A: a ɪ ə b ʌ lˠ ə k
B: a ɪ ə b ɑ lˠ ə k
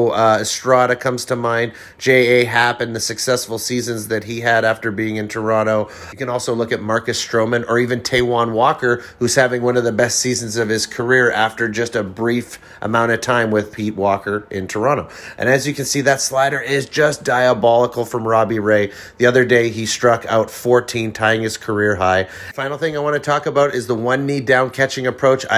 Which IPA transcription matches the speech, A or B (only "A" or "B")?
B